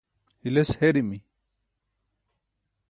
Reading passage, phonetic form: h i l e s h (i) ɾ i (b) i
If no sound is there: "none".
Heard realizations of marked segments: e, m

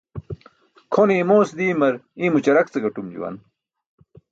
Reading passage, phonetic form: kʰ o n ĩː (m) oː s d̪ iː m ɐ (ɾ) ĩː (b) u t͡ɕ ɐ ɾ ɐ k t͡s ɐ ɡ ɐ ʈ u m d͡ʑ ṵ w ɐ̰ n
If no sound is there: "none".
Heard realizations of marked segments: m, ɾ, m

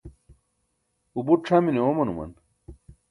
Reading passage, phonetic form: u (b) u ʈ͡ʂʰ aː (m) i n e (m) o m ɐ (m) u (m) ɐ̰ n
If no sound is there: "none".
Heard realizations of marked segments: b, m, none, n, m

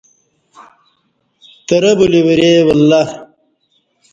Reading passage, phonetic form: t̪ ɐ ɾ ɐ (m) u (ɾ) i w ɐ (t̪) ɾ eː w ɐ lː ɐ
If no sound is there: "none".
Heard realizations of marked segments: b, l, none

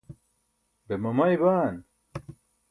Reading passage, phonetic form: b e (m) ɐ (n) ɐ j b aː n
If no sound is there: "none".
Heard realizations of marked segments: m, m

